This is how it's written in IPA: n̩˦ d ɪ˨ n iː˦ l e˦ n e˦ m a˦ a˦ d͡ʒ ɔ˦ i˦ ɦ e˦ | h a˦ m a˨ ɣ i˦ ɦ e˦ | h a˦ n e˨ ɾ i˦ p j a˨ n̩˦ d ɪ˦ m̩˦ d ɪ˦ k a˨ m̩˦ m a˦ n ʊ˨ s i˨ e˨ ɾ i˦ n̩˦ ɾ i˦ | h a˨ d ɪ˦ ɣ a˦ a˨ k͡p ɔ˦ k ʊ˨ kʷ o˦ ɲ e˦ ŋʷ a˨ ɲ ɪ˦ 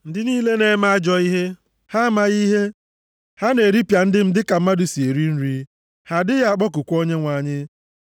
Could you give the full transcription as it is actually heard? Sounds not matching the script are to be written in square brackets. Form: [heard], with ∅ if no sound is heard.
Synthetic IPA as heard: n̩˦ d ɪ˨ n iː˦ l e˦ n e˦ m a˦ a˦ d͡ʒ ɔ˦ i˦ ɦ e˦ | h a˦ m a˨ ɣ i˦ ɦ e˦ | h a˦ n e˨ ɾ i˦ p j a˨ n̩˦ d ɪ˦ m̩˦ d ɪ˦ k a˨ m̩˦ m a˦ [d] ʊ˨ s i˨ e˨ ɾ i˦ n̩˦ ɾ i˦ | h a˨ d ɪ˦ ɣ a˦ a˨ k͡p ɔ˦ k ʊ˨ kʷ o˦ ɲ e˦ ŋʷ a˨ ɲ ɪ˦